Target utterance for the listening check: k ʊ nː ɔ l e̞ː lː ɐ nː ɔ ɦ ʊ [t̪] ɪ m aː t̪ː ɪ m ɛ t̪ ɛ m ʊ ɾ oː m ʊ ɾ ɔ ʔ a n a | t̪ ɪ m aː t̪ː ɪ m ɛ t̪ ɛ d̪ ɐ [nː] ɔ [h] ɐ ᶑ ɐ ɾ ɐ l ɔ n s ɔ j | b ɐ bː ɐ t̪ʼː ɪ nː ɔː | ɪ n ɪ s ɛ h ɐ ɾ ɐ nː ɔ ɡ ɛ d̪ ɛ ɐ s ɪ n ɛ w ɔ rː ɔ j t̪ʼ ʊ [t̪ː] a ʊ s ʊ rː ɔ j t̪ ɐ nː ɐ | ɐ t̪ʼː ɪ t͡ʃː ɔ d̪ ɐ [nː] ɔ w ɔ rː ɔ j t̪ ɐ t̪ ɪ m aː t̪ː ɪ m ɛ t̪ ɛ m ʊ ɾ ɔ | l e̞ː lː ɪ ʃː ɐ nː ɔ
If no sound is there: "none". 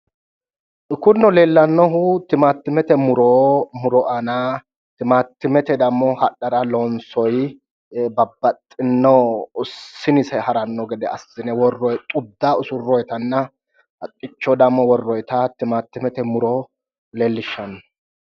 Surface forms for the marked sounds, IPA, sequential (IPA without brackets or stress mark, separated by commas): t̪, mː, h, d̪ː, mː